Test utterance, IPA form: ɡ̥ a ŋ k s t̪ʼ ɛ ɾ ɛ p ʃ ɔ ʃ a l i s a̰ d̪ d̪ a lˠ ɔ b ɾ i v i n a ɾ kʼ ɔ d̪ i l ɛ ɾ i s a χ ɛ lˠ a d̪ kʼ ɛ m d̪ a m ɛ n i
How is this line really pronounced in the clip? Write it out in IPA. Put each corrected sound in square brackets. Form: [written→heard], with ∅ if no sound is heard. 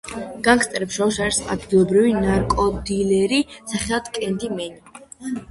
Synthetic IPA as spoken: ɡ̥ a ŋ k s t̪ʼ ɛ ɾ ɛ p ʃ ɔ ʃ a [l→ɾ] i s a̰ d̪ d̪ [a→i] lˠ ɔ b ɾ i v i n a ɾ kʼ ɔ d̪ i l ɛ ɾ i s a χ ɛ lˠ a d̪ kʼ ɛ [m→n] d̪ [a→i] m ɛ n i